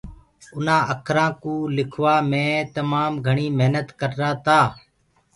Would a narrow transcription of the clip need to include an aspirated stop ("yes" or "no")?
yes